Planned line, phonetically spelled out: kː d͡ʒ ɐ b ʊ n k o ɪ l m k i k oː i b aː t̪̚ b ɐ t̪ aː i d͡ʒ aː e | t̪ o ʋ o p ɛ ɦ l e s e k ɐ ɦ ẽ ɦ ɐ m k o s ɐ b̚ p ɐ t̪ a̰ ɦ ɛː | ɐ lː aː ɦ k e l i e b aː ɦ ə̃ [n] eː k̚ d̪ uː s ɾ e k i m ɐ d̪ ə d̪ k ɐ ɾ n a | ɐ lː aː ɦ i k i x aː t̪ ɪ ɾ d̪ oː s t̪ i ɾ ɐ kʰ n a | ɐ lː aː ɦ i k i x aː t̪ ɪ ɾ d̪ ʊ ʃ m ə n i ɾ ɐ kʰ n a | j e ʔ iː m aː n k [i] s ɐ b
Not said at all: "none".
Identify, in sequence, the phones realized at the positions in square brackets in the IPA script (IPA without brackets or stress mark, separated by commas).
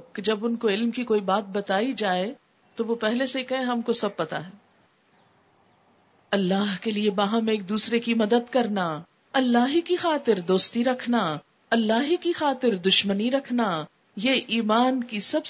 m, i